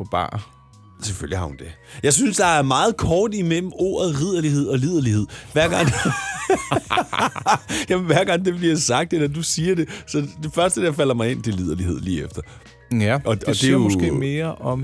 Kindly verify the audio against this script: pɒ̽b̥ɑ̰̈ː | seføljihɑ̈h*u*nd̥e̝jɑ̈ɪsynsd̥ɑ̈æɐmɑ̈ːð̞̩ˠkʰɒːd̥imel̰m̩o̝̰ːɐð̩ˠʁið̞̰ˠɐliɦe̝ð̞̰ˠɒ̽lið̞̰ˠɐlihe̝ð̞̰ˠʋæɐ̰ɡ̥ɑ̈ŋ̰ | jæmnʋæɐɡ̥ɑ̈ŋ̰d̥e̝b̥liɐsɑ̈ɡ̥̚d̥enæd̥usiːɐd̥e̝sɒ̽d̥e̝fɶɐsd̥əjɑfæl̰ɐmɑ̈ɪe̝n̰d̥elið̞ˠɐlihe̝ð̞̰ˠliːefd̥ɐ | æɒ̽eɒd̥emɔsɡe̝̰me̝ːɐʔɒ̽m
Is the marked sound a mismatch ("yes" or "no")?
no